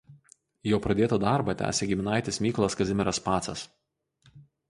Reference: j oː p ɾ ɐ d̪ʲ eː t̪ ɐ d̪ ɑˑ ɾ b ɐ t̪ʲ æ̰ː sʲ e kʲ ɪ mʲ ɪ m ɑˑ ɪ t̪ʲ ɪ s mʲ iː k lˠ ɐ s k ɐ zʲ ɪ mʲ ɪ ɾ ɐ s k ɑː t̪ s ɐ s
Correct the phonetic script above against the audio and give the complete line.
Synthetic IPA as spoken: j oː p ɾ ɐ d̪ʲ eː t̪ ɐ d̪ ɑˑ ɾ b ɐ t̪ʲ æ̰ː sʲ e ɡʲ ɪ mʲ ɪ n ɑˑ ɪ t̪ʲ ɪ s mʲ iː k lˠ ɐ s k ɐ zʲ ɪ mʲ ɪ ɾ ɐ s p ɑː t̪ s ɐ s